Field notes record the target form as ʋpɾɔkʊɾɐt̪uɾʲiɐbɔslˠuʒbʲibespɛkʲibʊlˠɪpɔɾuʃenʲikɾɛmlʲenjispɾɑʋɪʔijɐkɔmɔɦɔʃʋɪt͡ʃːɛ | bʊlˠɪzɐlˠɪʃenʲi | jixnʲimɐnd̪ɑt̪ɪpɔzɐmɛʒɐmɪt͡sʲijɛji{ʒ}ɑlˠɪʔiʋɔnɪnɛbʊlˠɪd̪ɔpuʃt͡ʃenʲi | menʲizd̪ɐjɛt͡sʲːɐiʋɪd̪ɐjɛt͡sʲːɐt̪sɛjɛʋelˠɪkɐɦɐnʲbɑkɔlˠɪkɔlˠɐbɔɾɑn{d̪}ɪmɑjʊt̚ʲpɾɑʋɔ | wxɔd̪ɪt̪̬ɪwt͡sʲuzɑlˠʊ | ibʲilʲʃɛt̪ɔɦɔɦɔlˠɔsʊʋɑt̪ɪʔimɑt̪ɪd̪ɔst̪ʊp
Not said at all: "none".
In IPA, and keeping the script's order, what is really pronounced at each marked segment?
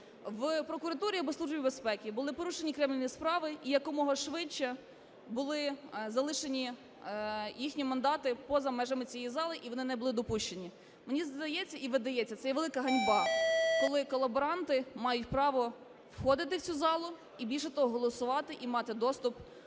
z, t̪

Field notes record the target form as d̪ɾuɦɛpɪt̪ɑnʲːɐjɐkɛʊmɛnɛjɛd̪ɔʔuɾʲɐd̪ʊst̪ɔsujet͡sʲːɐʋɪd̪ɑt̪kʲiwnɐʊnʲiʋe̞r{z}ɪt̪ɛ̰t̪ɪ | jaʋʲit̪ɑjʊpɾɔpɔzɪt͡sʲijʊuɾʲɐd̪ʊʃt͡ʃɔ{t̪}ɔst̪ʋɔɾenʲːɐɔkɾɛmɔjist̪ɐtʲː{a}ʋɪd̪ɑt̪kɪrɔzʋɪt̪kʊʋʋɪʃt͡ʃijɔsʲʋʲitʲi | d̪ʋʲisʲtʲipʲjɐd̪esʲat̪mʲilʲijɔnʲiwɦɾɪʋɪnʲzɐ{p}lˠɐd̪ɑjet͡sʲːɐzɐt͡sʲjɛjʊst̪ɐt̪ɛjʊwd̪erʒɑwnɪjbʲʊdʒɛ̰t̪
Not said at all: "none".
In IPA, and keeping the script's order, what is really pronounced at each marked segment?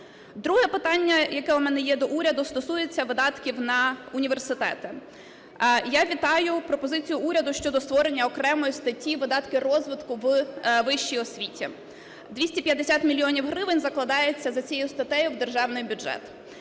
s, d̪, i, k

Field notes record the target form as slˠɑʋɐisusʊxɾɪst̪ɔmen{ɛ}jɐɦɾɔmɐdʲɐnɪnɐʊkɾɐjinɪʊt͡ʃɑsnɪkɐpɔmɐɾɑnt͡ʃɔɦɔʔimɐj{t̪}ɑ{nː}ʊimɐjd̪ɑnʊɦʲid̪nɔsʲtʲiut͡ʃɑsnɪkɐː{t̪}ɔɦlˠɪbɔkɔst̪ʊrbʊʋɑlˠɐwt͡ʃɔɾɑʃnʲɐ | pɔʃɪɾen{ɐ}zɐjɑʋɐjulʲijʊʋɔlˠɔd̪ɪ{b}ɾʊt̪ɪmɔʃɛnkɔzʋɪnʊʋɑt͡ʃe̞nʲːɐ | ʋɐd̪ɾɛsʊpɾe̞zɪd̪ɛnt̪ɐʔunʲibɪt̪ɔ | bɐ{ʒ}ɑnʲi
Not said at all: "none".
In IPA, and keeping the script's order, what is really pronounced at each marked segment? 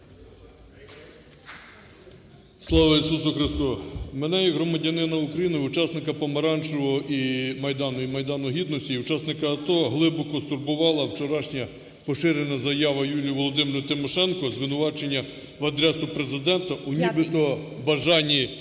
ɛ, d̪, n, t̪, ɐ, m, ʒ

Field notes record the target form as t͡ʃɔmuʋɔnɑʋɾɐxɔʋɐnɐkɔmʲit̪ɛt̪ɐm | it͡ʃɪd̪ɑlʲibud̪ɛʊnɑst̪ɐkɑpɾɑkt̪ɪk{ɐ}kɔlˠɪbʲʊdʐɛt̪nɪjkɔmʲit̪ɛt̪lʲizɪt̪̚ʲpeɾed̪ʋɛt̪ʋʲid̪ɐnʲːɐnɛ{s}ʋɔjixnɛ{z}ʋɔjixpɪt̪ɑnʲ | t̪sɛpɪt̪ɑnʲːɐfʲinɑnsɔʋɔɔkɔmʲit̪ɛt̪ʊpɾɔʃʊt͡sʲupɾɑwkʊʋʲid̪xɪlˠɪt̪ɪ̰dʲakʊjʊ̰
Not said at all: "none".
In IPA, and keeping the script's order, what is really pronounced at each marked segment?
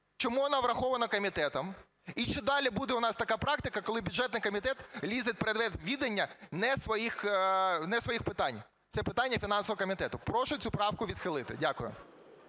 ɐ, s, s

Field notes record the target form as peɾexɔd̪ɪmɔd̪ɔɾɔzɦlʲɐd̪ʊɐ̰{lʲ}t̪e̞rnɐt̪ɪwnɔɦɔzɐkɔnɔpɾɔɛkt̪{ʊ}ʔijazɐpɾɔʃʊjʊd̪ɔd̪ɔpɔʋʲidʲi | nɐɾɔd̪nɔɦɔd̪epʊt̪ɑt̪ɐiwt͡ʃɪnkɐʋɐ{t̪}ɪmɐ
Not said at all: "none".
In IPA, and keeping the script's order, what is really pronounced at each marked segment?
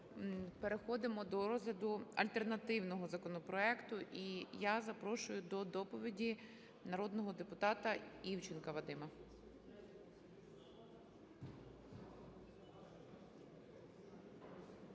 lʲ, ʊ, d̪

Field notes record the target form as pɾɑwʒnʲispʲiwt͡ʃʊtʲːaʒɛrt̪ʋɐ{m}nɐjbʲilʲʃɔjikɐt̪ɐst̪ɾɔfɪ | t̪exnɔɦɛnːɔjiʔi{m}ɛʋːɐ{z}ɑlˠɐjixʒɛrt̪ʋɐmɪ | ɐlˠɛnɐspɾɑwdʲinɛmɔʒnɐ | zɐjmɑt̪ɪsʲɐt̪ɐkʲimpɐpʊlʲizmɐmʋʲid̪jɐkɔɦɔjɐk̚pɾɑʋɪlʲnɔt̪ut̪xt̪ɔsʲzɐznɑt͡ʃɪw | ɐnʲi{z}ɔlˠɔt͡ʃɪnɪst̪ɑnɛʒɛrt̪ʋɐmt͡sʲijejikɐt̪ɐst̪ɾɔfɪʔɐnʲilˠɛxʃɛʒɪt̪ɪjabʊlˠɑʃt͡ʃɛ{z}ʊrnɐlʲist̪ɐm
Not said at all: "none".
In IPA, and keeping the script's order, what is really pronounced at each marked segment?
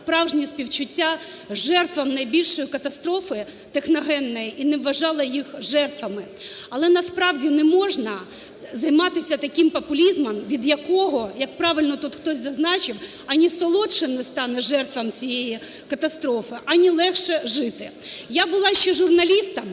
m, n, ʒ, s, ʒ

